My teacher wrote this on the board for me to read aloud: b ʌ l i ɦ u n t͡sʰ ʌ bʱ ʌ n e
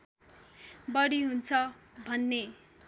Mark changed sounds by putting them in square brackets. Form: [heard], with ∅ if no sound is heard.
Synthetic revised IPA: b ʌ [ɽ] i ɦ u n t͡sʰ ʌ bʱ ʌ [nː] e